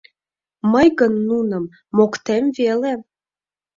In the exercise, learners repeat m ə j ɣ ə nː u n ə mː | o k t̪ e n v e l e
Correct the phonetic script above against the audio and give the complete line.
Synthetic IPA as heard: m ə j ɣ ə nː u n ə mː | o k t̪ e m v e l e

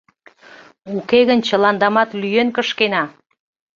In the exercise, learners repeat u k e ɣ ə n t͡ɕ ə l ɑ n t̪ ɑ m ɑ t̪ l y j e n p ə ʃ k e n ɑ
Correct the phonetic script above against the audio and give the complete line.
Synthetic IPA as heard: u k e ɣ ə n t͡ɕ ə l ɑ n d̪ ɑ m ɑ t̪ l y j e n k ə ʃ k e n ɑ

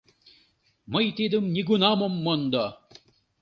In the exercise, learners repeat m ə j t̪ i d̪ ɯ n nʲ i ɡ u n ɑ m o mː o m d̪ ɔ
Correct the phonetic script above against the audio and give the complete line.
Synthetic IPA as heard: m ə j t̪ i d̪ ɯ m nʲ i ɡ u n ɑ m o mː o n d̪ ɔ

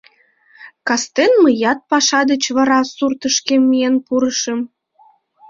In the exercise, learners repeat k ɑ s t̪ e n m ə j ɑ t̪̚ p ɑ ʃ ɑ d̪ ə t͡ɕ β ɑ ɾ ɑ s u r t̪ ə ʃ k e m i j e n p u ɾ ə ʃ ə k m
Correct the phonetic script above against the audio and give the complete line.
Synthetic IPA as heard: k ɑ s t̪ e n m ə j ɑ t̪̚ p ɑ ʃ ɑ d̪ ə t͡ɕ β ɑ ɾ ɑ s u r t̪ ə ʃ k e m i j e n p u ɾ ə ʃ ə m

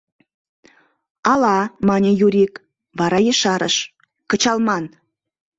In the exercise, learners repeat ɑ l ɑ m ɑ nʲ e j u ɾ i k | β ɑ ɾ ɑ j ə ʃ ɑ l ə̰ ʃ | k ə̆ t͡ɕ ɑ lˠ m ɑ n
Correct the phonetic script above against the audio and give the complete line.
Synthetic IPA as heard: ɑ l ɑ m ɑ nʲ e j u ɾ i k | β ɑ ɾ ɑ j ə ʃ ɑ ɾ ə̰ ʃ | k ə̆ t͡ɕ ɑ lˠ m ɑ n

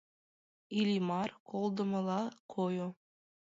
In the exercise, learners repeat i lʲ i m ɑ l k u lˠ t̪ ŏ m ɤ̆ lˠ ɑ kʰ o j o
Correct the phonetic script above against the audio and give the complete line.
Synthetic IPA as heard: i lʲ i m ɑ r k o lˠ d̪ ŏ m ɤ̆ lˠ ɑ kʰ o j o

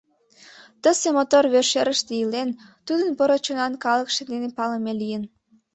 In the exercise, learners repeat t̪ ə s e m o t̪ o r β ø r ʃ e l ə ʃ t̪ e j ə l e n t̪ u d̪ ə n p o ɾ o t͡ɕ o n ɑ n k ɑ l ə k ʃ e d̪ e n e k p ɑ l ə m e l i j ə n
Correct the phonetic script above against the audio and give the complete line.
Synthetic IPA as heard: t̪ ə s e m o t̪ o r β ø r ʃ e ɾ ə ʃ t̪ e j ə l e n t̪ u d̪ ə n p o ɾ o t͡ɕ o n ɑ n k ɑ l ə k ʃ e d̪ e n e p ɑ l ə m e l i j ə n

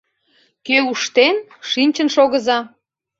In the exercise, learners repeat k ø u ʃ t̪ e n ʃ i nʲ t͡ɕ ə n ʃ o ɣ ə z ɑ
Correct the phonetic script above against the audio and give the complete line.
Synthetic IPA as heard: k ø u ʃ t̪ e n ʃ i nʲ t͡ɕ ə n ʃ o ɣ ə z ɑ

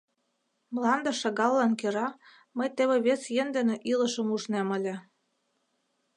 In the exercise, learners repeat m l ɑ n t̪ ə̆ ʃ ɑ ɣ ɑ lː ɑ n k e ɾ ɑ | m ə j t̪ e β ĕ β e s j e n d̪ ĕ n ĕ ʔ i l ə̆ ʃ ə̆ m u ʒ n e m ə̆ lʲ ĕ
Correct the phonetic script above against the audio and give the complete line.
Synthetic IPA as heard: m l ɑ n d̪ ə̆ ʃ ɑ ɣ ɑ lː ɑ n k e ɾ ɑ | m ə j t̪ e β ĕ β e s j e n d̪ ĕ n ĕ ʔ i l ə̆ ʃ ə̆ m u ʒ n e m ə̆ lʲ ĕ

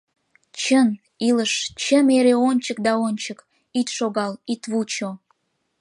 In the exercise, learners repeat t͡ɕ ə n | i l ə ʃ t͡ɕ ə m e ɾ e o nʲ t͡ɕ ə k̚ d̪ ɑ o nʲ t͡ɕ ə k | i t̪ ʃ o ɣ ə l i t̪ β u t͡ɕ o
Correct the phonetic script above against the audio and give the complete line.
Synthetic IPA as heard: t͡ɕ ə n | i l ə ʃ t͡ɕ ə m e ɾ e o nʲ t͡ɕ ə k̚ d̪ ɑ o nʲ t͡ɕ ə k | i t̪ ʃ o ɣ ɑ l i t̪ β u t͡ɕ o

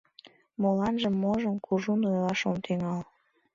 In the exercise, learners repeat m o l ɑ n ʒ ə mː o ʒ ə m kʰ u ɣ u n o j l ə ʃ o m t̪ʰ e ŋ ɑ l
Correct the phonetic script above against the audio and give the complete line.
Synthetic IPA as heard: m o l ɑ n ʒ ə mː o ʒ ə m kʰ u ʒ u n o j l ɑ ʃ o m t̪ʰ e ŋ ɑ l

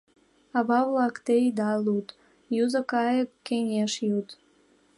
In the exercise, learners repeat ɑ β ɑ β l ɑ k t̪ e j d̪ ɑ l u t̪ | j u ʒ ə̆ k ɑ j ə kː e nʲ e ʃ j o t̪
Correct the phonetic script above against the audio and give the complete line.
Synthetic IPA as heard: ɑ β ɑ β l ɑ k t̪ e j d̪ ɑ l u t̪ | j u z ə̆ k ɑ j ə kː e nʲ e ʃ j u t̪

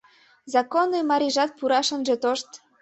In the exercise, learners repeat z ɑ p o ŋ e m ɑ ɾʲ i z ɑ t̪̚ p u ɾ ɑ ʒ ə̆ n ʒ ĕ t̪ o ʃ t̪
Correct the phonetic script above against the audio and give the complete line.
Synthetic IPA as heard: z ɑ k o n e m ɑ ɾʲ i ʒ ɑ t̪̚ p u ɾ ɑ ʃ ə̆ n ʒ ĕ t̪ o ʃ t̪

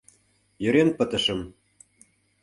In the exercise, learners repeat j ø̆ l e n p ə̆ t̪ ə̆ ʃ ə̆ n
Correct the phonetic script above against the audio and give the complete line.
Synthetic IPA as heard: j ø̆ ɾ e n p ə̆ t̪ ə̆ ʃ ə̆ m

